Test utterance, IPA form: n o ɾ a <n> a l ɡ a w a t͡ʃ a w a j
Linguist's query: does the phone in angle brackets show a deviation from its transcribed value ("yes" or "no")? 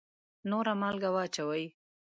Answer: yes